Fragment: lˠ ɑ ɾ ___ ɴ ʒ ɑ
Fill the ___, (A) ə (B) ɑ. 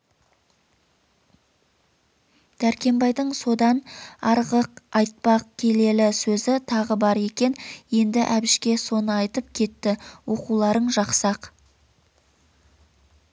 A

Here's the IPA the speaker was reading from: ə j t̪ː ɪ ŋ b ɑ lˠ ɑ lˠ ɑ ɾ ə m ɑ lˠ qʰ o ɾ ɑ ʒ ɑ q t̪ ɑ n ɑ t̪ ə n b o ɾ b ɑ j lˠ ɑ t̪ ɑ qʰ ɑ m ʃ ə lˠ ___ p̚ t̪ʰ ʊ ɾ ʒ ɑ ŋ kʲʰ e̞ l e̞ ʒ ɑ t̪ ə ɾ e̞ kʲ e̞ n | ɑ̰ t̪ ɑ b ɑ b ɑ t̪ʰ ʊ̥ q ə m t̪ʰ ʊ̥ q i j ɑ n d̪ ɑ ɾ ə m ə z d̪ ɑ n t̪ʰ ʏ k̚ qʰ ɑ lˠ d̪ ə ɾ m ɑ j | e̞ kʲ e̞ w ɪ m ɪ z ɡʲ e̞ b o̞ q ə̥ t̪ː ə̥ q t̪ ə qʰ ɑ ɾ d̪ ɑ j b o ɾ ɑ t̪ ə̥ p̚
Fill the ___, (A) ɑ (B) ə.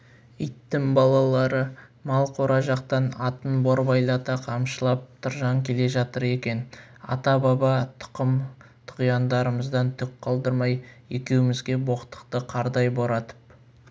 A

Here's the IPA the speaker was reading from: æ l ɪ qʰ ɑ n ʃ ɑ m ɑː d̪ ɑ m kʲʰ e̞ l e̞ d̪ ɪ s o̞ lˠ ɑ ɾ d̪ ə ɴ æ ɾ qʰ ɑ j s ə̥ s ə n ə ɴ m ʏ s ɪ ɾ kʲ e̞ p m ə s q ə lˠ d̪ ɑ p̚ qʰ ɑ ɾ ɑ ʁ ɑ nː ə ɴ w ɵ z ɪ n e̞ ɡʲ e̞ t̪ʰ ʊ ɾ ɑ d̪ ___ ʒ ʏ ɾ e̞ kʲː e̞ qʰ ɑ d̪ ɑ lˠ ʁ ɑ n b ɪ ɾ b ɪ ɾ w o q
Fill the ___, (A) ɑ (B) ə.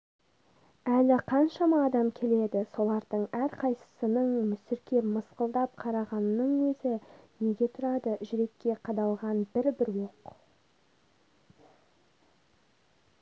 B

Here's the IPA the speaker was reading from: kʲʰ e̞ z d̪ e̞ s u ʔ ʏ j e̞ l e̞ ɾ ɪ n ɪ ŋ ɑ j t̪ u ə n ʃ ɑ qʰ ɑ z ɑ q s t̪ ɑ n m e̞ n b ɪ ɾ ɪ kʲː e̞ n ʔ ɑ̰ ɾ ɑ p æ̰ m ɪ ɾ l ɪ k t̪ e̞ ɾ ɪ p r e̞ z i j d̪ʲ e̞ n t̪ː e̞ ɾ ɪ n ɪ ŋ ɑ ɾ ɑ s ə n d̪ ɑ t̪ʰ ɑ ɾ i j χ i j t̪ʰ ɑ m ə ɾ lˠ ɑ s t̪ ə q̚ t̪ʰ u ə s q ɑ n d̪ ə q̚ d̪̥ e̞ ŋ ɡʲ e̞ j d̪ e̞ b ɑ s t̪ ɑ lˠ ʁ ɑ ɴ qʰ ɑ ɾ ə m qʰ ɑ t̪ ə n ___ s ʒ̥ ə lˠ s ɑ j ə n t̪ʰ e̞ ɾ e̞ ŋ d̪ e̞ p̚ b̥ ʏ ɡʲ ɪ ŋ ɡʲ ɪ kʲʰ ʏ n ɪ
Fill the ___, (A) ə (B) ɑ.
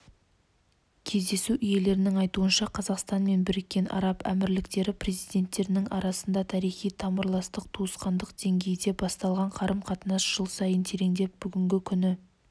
B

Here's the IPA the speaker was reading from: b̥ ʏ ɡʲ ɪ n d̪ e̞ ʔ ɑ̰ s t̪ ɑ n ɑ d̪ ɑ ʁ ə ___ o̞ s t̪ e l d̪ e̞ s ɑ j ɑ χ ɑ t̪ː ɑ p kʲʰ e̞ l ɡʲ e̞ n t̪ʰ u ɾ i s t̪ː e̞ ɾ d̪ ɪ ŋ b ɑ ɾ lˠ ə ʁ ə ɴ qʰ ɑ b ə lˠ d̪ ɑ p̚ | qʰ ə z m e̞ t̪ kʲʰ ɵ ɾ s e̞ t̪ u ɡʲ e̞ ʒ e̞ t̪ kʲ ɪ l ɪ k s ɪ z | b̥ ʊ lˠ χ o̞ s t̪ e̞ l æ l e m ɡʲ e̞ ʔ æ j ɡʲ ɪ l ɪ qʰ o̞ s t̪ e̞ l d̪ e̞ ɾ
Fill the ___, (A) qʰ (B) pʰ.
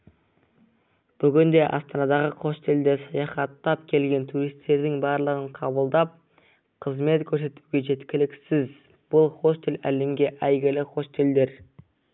A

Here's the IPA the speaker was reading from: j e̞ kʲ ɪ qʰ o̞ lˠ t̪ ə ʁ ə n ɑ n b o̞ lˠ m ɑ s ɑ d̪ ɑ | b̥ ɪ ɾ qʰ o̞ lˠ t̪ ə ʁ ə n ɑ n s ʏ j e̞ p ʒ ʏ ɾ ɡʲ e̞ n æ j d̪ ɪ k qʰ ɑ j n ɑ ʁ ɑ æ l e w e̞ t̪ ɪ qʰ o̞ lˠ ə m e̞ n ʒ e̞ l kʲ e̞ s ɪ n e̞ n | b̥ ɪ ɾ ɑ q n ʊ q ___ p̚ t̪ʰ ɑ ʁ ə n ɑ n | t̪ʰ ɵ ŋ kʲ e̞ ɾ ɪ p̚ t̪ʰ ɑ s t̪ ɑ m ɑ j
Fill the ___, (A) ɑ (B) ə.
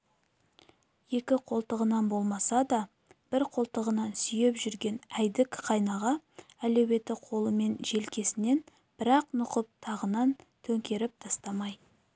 B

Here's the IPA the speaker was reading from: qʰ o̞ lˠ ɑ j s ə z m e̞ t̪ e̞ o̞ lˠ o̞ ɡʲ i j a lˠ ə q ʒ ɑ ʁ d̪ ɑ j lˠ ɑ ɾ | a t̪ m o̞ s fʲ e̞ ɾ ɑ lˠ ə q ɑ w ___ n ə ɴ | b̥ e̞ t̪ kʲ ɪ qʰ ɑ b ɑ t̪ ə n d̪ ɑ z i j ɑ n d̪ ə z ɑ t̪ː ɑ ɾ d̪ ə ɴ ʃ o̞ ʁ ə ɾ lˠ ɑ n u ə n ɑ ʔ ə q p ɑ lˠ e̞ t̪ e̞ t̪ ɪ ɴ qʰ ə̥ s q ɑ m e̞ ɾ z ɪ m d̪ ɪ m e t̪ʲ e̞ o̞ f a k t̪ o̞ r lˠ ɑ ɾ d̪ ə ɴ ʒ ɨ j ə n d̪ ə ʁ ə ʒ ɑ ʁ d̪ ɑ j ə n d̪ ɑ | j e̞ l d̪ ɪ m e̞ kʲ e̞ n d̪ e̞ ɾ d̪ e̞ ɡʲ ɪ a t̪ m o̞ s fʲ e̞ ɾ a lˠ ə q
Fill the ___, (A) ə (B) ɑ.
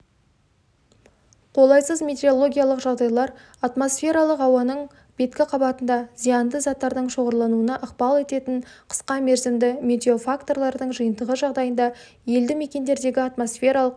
B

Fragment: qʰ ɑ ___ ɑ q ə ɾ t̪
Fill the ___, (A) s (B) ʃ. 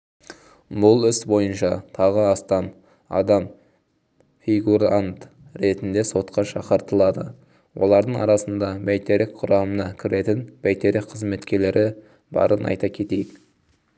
B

